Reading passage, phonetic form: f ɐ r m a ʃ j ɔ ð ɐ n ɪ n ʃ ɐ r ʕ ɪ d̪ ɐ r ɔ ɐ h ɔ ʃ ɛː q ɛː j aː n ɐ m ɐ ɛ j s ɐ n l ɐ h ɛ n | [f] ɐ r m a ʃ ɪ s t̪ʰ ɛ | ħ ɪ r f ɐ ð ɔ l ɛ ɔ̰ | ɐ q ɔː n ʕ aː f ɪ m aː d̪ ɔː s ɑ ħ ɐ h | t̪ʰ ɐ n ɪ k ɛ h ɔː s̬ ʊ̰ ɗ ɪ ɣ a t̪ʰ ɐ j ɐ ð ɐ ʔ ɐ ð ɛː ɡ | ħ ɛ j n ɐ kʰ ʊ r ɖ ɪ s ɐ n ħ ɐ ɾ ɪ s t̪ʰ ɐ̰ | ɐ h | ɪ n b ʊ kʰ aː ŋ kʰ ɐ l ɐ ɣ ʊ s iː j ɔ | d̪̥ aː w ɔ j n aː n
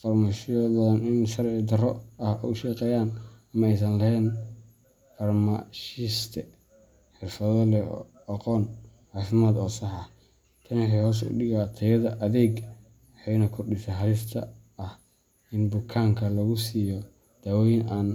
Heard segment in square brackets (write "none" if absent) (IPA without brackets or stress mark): f